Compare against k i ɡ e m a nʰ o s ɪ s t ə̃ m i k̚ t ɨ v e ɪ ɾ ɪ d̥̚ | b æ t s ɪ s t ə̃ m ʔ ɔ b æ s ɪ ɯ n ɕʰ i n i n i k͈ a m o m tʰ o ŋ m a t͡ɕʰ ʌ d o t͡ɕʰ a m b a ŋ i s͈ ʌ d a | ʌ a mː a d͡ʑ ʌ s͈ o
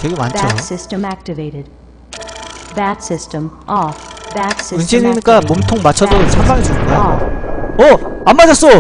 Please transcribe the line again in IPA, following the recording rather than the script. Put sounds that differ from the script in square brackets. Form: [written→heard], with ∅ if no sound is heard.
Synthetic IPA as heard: k [i→e] ɡ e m a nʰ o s ɪ s t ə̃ m [i→æ] k̚ t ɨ v e ɪ ɾ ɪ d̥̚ | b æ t s ɪ s t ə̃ m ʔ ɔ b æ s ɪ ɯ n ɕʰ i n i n i k͈ a m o m tʰ o ŋ m a t͡ɕʰ ʌ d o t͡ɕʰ a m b a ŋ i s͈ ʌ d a | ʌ a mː a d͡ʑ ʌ s͈ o